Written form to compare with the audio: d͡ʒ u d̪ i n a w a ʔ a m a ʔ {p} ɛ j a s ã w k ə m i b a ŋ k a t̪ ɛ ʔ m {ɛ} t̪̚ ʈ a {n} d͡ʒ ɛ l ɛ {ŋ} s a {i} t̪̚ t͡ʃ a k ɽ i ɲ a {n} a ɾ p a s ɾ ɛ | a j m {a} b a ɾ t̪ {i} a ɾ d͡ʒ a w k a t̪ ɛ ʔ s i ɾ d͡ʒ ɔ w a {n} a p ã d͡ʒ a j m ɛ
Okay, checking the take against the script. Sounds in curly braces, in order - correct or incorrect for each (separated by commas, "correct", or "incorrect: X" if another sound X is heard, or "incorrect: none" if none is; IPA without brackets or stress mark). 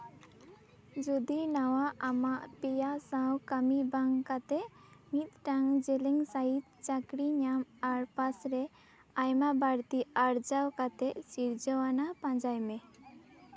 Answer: correct, incorrect: i, incorrect: ŋ, correct, correct, incorrect: m, correct, correct, correct